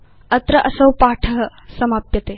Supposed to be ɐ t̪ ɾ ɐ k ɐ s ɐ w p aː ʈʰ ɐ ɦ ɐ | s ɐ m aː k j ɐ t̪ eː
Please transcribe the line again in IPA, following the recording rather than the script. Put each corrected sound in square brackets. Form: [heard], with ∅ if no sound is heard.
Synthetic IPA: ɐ t̪ ɾ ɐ [ʔ] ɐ s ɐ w p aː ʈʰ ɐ ɦ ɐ | s ɐ m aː [p] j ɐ t̪ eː